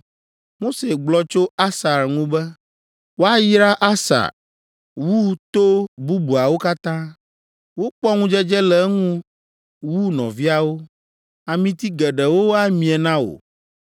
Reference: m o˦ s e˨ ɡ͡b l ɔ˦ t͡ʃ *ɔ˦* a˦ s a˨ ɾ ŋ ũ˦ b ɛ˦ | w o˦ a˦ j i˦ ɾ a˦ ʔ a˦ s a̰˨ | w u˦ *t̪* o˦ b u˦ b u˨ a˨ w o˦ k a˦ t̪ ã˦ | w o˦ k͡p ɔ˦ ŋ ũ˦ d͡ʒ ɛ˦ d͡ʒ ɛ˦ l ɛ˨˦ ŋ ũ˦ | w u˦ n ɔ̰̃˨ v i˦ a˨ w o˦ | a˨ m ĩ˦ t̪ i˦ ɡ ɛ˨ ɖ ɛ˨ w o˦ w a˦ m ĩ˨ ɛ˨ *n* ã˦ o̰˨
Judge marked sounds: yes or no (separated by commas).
no, yes, yes